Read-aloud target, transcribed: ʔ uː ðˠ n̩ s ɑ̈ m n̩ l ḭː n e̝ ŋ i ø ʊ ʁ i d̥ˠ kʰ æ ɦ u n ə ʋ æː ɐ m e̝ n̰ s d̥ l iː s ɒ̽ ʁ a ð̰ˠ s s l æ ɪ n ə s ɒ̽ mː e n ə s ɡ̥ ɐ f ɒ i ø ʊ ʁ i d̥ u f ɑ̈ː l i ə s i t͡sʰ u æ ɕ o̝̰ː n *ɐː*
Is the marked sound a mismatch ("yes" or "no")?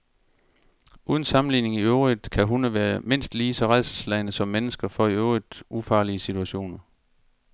yes